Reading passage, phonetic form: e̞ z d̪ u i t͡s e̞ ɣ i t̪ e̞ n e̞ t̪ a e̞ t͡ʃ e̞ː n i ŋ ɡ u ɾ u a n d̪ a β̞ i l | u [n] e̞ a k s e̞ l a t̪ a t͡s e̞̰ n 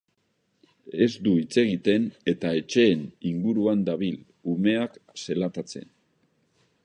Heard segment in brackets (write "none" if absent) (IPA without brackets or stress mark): m